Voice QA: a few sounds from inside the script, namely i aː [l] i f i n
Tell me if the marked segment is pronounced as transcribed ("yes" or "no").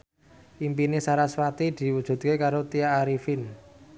no